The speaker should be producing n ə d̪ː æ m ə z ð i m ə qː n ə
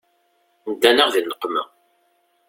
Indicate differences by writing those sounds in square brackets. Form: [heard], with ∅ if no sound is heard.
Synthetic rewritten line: n ə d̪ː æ [n] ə [ʁ] ð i [n] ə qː [m] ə